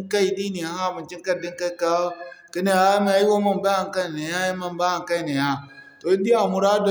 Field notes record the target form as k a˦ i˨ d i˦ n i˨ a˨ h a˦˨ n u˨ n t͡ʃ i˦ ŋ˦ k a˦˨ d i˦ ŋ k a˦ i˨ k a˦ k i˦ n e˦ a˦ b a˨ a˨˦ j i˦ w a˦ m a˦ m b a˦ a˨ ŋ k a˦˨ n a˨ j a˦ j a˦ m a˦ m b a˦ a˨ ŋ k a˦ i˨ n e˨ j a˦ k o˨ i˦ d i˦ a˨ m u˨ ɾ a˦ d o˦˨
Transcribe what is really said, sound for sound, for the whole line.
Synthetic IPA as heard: k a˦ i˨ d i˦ n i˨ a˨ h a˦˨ m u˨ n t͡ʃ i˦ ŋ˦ k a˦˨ d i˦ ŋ k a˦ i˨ k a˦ k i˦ n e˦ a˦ m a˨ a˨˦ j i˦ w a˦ m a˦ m b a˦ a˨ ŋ k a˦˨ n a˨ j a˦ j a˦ m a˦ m b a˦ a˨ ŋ k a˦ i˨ n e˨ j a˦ t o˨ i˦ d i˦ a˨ m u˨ ɾ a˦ d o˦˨

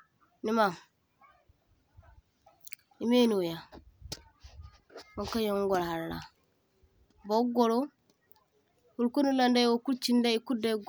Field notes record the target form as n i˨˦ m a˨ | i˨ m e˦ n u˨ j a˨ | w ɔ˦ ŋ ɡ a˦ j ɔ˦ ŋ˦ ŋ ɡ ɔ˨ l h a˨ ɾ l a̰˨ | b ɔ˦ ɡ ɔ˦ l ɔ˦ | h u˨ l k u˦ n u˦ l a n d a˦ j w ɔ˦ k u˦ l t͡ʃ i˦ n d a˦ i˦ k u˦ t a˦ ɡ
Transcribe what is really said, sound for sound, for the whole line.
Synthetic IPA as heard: n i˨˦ m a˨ | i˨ m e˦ n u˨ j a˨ | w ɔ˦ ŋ k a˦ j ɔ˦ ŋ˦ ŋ ɡ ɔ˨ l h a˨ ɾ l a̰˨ | b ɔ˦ ɡ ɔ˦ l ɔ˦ | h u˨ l k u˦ n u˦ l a n d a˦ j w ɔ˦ k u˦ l t͡ʃ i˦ n d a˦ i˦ k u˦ d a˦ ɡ

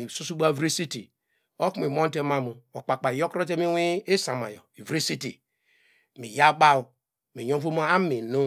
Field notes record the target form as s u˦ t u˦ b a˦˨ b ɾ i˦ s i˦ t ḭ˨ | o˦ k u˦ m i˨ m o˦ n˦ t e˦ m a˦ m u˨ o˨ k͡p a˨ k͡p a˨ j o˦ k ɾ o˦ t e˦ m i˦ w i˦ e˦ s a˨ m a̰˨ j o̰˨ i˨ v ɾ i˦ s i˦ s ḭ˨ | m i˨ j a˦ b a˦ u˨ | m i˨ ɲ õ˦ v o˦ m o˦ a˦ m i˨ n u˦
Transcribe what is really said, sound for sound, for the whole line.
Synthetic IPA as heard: s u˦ s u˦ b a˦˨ v ɾ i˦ s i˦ t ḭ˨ | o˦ k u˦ m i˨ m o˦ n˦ t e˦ m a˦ m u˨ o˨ k͡p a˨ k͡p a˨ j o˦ k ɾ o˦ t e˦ m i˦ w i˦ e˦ s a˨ m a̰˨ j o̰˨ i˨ v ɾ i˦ s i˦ t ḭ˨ | m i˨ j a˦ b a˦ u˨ | m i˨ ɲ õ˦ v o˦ m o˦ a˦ m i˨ n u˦

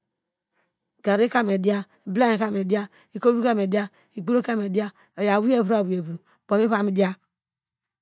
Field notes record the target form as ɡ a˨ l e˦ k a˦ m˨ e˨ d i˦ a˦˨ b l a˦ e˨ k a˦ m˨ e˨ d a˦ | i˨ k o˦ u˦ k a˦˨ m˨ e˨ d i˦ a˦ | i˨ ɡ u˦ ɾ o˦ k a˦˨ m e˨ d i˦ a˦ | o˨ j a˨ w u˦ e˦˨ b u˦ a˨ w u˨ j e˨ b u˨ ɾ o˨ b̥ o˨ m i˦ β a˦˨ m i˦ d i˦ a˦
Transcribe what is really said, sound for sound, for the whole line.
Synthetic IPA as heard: ɡ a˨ ɾ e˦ k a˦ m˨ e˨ d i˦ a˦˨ b l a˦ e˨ k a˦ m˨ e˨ d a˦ | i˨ k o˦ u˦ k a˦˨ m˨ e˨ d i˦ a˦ | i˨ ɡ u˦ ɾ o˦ k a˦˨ m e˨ d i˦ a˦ | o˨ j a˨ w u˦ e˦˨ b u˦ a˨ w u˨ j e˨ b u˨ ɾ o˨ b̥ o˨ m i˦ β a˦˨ m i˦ d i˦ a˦

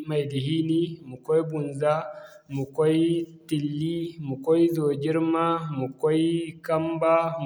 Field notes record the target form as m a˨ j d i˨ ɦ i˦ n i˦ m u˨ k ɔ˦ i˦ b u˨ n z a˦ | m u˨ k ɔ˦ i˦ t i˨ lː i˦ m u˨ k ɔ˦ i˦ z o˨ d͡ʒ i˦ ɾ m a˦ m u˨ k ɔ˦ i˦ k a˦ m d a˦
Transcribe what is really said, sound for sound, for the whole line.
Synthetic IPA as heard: m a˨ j d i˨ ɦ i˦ n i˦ m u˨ k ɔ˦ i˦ b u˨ n z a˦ | m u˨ k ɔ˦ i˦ t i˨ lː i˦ m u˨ k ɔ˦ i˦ z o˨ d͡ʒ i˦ ɾ m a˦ m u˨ k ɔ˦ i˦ k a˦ m b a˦

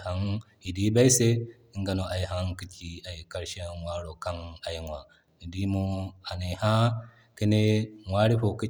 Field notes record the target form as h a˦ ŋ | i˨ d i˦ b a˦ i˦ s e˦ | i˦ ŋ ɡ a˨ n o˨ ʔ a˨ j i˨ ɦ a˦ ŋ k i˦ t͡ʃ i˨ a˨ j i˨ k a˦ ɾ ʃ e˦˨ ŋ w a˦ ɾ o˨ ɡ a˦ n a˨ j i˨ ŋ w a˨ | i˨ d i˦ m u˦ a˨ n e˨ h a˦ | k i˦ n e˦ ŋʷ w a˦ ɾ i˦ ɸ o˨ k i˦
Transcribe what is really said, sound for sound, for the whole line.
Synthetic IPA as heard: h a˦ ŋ | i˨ d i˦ b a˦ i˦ s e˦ | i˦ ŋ ɡ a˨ n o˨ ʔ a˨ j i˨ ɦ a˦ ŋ k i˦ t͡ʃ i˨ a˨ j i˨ k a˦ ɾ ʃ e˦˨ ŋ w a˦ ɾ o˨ k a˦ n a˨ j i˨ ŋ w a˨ | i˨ d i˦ m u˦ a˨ n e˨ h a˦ | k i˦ n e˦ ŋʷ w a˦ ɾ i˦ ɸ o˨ k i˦

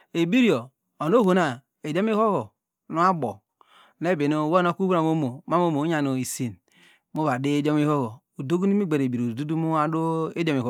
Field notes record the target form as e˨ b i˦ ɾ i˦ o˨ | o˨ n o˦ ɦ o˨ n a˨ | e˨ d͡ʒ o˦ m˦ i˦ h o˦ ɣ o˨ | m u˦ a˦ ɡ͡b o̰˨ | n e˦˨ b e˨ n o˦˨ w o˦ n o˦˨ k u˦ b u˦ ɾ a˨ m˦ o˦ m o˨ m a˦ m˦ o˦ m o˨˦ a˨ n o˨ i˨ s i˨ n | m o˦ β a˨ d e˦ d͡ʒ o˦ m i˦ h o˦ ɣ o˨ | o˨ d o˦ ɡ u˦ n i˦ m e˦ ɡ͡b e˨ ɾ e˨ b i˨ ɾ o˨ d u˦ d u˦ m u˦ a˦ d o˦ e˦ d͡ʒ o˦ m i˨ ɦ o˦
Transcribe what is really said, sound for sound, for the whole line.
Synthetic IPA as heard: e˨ b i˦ ɾ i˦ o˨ | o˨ n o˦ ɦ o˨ n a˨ | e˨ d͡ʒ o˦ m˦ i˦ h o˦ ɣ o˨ | n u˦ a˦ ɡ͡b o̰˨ | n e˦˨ b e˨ n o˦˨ w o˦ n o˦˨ k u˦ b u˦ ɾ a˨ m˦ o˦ m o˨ m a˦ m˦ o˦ m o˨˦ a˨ n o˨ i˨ s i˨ n | m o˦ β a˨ d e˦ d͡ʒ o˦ m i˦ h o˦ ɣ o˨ | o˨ d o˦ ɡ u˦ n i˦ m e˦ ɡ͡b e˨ ɾ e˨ b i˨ ɾ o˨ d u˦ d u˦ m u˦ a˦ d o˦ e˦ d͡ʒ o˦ m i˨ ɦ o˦

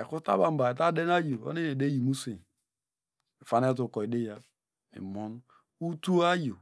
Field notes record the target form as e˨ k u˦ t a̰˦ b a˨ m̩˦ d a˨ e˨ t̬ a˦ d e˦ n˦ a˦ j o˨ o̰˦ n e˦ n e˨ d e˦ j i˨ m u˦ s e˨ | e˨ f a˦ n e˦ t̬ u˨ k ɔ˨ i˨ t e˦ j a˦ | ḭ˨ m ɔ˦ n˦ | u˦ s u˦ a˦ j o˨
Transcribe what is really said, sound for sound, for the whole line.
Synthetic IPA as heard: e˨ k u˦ t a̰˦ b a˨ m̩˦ b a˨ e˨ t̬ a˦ d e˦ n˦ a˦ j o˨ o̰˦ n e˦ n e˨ d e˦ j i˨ m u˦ s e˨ | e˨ f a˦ n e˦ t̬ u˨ k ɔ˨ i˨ d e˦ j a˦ | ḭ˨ m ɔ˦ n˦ | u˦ t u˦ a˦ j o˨

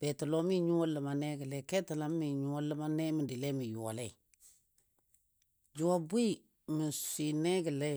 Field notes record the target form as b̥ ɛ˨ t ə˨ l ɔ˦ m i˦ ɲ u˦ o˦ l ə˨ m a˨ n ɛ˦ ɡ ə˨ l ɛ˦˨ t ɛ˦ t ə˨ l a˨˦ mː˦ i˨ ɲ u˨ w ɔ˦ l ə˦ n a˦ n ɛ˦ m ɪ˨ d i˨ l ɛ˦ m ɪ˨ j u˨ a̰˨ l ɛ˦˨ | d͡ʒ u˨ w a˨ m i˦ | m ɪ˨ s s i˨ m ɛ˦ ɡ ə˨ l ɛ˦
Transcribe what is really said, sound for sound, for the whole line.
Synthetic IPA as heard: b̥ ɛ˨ t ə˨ l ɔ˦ m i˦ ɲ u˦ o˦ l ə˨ m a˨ n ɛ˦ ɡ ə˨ l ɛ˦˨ k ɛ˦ t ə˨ l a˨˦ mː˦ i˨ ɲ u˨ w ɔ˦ l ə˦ m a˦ n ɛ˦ m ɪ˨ d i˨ l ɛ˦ m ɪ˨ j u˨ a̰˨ l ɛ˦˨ | d͡ʒ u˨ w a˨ b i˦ | m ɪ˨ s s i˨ n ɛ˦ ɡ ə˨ l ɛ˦

